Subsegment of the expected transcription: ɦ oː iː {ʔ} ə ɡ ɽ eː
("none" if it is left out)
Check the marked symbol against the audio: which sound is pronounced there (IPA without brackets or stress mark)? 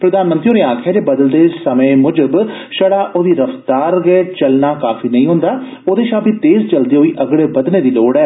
ʔ